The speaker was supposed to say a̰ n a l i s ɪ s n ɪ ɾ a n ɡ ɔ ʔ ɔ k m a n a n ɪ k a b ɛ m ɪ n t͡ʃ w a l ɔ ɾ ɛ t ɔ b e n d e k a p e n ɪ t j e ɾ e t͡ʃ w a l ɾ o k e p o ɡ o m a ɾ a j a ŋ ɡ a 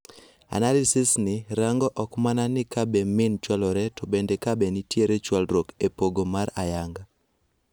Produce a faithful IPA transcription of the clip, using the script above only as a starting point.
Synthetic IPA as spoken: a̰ n a l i s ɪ s n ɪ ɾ a ŋ ɡ ɔ ʔ ɔ k m a n a n ɪ k a b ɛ m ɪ n t͡ʃ w a l ɔ ɾ ɛ t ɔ b e n d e k a b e n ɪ t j e ɾ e t͡ʃ w a l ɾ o k e p o ɡ o m a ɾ a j a ŋ ɡ a